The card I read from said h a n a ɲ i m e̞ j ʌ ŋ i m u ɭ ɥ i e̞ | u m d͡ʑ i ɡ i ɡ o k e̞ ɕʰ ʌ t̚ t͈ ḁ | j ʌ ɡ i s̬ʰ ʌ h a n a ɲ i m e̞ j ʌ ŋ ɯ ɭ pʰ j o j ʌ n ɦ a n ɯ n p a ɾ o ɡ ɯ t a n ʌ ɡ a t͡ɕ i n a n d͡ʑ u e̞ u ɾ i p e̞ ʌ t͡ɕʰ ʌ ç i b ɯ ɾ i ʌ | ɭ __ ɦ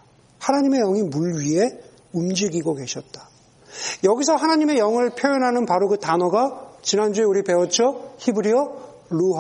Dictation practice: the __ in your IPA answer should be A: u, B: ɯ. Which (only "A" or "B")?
A